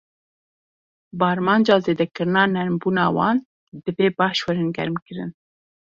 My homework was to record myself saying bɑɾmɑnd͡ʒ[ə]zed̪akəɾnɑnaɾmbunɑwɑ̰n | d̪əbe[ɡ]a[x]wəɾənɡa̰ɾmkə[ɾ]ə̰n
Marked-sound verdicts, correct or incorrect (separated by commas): incorrect, incorrect, incorrect, correct